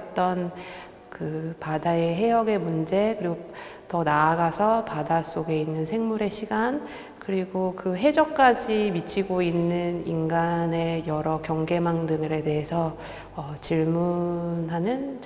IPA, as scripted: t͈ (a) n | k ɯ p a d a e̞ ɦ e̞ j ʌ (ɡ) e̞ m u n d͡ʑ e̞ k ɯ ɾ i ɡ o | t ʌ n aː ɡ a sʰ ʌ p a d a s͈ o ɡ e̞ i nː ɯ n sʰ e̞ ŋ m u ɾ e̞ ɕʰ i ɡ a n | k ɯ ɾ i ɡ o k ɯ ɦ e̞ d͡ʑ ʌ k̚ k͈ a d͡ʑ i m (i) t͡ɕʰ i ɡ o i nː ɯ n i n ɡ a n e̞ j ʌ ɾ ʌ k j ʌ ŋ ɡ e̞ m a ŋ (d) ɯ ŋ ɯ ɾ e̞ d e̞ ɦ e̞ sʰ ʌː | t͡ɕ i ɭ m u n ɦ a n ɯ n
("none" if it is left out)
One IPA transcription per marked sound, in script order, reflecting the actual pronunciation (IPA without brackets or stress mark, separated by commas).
ʌ, ɡ, i, d